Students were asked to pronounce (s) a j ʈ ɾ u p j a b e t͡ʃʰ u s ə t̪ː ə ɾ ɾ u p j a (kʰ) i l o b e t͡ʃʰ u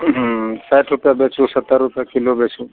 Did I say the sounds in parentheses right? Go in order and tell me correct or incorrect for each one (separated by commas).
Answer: correct, incorrect